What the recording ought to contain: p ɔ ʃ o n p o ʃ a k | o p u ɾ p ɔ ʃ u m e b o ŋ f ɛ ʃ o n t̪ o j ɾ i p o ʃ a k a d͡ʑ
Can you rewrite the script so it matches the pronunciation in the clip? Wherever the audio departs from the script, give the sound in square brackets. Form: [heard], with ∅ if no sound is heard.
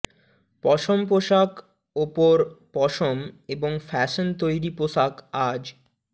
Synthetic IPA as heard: p ɔ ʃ o [m] p o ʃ a k | o p [o] ɾ p ɔ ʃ [o] m e b o ŋ f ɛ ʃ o n t̪ o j ɾ i p o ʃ a k a d͡ʑ